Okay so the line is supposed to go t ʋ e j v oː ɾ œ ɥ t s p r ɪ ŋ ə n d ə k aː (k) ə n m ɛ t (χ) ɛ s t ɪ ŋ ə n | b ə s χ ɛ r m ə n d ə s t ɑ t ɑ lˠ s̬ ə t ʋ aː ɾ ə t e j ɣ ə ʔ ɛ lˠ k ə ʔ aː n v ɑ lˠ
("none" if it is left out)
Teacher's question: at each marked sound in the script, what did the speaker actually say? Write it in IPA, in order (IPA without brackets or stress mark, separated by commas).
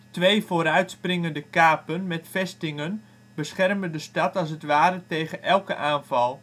p, f